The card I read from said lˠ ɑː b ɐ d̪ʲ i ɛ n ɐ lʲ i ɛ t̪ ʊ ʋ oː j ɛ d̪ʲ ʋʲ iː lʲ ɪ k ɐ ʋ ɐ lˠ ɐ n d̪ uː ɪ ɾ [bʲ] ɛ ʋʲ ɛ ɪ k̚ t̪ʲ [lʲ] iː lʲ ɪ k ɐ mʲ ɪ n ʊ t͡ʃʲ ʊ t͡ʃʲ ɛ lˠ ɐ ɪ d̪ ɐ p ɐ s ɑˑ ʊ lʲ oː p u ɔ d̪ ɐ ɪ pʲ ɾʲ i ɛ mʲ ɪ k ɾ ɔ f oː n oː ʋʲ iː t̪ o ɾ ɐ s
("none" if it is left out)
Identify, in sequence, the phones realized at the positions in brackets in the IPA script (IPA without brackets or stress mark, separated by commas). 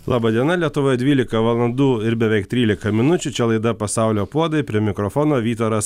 bʲ, ɾʲ